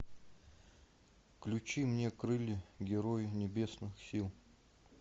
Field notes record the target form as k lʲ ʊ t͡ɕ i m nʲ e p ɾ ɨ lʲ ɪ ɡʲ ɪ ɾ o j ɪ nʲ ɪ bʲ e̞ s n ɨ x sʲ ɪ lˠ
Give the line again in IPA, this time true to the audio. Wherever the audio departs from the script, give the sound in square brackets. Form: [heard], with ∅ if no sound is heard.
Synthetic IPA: k lʲ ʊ t͡ɕ i m nʲ e [k] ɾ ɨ lʲ ɪ ɡʲ ɪ ɾ o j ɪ nʲ ɪ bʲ e̞ s n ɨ x sʲ [i] lˠ